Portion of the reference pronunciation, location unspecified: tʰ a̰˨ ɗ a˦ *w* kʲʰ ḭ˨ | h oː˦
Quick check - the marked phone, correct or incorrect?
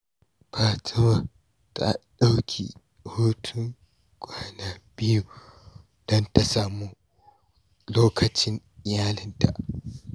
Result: correct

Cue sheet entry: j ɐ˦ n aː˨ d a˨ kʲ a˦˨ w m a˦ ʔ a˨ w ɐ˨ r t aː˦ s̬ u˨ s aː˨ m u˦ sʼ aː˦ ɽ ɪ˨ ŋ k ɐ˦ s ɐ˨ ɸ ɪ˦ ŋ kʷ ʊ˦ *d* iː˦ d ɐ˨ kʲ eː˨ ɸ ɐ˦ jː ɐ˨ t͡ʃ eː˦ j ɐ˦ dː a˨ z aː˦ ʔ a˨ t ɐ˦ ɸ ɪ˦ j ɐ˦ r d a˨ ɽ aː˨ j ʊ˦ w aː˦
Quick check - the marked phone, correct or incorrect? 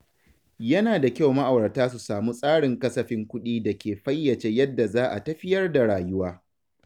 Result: incorrect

